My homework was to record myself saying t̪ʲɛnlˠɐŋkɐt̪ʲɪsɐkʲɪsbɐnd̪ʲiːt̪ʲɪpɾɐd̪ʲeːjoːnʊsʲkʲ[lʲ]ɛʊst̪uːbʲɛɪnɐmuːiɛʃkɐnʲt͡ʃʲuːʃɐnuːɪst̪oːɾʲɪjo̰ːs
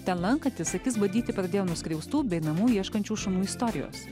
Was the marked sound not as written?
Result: yes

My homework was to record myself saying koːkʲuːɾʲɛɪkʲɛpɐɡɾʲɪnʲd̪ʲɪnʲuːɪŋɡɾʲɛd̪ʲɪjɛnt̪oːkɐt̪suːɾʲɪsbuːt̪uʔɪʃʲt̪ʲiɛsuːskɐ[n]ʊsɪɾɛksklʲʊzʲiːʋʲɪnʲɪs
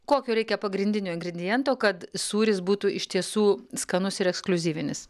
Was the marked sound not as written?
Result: no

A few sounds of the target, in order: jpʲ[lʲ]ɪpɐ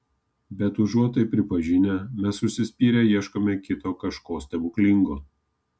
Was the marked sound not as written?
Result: yes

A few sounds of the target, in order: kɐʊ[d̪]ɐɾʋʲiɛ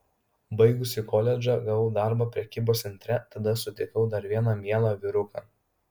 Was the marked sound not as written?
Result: no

